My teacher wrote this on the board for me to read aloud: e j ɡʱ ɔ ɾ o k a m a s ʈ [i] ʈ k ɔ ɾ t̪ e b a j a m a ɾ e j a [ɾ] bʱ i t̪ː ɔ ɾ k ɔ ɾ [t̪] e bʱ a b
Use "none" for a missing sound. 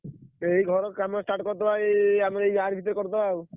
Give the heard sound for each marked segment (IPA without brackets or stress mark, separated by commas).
a, ɾ, t̪